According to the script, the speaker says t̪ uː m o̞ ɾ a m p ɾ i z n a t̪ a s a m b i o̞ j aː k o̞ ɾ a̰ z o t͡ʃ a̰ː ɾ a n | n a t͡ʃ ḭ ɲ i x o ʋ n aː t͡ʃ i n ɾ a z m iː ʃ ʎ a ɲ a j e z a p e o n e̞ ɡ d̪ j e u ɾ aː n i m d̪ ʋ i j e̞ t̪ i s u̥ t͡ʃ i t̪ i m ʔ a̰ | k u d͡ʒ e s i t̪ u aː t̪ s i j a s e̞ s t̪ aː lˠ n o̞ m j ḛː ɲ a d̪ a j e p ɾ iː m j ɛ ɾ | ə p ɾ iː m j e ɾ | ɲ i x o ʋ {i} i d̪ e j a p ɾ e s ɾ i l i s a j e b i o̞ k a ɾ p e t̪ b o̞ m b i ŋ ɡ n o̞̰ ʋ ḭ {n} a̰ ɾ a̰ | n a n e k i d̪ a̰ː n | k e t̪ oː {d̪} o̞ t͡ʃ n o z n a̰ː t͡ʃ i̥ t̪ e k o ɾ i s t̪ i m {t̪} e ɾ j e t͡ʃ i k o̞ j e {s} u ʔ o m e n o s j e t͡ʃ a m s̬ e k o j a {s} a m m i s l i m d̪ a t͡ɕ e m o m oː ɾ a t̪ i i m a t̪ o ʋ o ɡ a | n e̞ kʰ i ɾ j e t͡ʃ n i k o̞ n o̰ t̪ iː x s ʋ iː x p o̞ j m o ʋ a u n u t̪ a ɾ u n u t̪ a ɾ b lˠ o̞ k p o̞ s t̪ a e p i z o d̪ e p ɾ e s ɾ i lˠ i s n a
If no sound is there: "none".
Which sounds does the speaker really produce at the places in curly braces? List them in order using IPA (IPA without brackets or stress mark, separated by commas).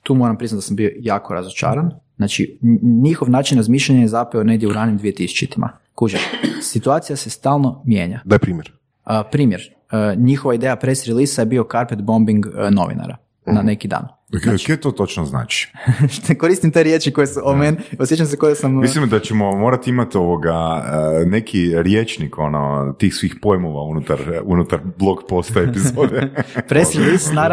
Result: a, n, t̪, t̪, s, s